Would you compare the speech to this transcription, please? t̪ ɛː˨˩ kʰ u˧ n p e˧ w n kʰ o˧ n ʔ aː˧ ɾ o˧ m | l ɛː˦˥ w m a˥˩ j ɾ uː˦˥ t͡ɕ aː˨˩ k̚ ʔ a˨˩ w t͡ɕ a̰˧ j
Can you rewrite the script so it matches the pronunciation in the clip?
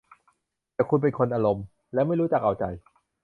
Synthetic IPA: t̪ ɛː˨˩ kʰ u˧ n p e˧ n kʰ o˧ n ʔ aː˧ ɾ o˧ m | l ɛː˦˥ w m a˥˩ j ɾ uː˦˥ t͡ɕ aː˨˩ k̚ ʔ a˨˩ w t͡ɕ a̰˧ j